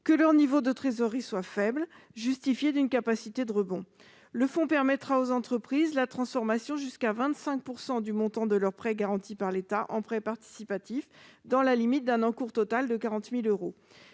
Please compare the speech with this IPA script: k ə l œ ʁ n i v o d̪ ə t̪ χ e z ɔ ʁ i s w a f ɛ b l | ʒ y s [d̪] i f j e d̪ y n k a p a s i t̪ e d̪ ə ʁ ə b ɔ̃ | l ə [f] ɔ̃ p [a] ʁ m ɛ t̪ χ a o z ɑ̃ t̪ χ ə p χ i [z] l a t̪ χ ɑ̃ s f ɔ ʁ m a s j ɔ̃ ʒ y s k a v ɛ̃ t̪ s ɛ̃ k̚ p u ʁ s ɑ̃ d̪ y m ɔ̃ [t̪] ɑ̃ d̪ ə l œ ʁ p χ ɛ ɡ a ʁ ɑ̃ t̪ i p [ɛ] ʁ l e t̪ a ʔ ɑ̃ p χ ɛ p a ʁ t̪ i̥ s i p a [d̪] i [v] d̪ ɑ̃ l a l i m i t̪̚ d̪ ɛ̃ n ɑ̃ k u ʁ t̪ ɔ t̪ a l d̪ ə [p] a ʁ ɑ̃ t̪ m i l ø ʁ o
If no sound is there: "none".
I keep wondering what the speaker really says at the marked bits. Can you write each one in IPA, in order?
t̪, f, ɛ, z, t̪, a, t̪, f, k

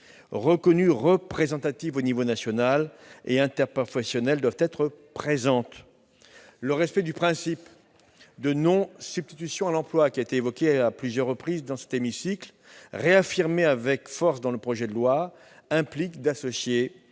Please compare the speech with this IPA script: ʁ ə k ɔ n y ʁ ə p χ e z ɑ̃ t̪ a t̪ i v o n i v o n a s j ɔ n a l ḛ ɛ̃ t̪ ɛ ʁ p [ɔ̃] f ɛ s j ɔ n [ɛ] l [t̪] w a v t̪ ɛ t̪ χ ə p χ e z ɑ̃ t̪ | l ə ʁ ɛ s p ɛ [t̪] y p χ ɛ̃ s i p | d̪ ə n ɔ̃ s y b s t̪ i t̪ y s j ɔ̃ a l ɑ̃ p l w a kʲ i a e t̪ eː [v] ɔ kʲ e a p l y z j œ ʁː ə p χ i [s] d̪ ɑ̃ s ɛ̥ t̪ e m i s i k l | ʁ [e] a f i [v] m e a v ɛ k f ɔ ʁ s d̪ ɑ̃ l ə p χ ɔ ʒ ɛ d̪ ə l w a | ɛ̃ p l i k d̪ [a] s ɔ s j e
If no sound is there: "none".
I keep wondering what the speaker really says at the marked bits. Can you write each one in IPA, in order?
ɔ, ɛ, d̪, d̪, v, z, e, ʁ, a

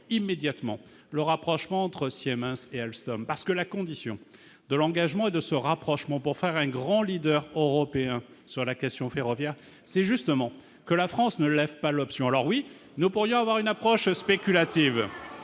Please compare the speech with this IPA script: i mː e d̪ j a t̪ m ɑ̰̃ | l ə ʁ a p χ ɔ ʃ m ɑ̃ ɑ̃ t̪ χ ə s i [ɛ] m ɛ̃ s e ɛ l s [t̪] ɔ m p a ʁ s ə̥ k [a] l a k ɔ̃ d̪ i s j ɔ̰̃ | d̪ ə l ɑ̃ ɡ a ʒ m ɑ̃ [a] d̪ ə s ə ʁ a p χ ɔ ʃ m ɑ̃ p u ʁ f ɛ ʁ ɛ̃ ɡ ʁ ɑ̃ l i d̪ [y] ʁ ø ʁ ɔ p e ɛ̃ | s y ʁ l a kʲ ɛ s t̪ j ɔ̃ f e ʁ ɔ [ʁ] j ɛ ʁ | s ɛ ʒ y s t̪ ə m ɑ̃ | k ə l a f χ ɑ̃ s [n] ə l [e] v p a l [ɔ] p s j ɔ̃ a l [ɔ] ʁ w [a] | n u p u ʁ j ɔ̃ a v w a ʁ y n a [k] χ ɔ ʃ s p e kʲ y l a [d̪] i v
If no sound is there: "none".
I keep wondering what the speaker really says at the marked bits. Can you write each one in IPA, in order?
ɛ, t̪, ə, e, œ, v, n, ɛ, ɔ, ɔ, i, p, t̪

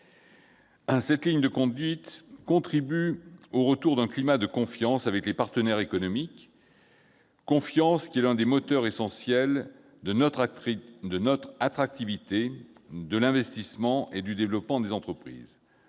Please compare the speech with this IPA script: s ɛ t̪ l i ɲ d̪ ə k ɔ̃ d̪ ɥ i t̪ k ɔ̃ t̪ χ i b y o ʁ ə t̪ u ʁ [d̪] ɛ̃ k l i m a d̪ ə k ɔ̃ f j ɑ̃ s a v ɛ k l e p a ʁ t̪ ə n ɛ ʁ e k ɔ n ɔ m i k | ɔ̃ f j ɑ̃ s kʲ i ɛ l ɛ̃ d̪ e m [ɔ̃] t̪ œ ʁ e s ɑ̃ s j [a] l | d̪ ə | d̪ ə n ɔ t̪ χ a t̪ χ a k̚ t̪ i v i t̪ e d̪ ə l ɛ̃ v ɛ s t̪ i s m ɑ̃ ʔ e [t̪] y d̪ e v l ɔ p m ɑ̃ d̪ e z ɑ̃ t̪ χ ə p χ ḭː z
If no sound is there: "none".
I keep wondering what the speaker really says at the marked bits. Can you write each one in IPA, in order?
d̪, ɔ, ɛ, d̪

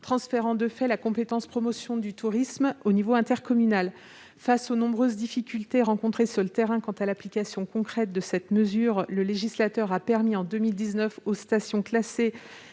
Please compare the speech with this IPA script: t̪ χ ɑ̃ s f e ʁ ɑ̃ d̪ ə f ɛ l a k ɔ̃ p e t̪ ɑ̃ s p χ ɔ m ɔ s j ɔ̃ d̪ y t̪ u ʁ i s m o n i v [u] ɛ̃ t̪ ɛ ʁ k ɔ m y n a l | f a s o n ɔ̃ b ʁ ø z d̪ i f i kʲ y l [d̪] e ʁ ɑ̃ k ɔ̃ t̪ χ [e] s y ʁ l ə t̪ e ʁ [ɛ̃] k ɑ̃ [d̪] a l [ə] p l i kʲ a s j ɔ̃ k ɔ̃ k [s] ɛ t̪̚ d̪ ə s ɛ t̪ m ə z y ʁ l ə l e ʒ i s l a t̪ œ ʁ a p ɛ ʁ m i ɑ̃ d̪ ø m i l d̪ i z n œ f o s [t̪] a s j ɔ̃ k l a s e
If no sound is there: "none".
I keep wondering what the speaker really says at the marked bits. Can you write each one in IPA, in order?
o, t̪, e, ɛ̃, t̪, a, χ, t̪

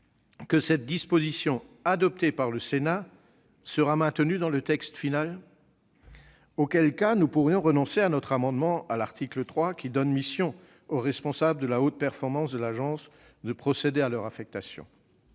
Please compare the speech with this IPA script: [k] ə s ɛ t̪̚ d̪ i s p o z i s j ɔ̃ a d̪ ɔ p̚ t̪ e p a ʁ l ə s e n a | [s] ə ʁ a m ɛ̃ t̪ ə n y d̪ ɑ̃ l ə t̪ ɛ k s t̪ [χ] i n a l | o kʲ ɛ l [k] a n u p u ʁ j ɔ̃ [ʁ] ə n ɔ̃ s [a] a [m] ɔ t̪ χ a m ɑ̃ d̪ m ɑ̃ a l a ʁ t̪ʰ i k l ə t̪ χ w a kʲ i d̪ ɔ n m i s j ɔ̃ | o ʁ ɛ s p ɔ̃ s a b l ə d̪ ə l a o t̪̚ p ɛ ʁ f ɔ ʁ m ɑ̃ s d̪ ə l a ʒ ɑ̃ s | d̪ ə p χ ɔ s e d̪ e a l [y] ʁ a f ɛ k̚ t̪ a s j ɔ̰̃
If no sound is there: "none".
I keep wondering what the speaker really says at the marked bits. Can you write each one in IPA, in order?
k, s, f, k, ʁ, e, n, œ

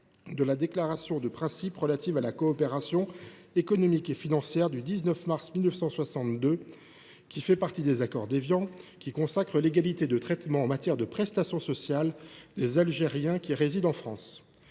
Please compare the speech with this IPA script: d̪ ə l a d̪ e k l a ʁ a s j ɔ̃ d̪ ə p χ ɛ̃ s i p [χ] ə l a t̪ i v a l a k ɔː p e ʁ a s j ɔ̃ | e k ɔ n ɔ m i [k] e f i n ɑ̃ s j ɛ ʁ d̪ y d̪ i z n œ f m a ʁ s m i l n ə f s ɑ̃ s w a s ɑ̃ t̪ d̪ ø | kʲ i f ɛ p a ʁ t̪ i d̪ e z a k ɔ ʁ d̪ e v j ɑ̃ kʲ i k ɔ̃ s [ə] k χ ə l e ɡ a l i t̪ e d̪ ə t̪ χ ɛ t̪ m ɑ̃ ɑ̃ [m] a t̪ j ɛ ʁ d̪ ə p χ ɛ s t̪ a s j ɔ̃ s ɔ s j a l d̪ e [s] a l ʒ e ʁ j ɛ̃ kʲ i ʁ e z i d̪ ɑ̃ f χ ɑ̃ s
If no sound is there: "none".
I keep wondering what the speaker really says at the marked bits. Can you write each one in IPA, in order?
ʁ, k, a, m, z

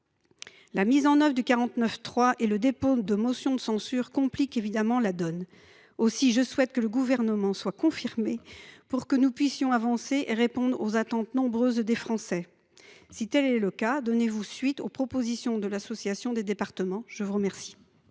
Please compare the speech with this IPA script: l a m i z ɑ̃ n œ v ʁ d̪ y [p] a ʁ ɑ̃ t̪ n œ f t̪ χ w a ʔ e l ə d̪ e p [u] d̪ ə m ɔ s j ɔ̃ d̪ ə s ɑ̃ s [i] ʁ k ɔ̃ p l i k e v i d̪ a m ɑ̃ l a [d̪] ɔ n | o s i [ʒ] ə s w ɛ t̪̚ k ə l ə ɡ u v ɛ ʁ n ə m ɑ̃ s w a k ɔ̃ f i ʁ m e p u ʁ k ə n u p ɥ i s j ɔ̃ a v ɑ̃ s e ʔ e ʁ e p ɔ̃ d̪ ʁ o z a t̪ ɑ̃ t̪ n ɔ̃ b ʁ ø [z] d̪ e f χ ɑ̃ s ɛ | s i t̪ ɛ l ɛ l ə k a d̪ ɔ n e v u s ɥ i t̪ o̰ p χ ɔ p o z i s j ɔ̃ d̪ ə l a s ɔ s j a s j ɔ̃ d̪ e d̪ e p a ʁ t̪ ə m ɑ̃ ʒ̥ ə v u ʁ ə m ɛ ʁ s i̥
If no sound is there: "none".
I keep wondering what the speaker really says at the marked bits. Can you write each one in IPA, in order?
k, o, y, d̪, ʒ, z

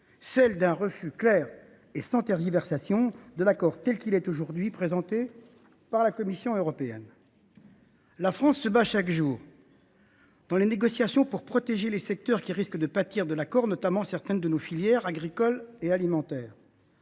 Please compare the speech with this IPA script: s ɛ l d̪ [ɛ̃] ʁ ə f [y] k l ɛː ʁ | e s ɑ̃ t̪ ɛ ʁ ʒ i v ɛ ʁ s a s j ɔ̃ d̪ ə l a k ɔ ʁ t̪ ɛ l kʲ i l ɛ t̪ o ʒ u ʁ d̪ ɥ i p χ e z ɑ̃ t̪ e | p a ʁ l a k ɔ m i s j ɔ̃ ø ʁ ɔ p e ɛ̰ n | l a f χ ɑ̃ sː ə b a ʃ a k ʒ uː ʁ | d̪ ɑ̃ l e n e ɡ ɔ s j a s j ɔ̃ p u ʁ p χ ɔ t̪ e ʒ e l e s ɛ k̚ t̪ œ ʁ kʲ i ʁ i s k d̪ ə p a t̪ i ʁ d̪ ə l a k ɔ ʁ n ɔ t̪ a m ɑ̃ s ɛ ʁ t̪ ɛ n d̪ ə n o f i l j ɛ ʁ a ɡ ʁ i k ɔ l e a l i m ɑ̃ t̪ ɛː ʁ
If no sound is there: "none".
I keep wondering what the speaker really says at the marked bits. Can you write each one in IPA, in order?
ɛ̃, y

